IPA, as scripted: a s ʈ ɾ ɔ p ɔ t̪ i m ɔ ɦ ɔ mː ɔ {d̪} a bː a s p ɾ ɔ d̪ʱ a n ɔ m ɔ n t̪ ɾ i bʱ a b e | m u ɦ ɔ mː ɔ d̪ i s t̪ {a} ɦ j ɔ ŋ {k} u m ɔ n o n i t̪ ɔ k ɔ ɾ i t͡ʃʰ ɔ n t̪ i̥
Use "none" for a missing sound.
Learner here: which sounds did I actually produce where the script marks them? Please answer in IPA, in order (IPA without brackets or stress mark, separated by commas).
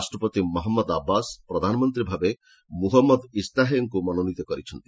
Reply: d̪, a, k